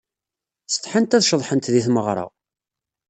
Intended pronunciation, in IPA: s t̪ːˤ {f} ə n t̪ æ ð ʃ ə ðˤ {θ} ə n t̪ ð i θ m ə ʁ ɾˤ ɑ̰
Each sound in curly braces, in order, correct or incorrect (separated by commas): incorrect, incorrect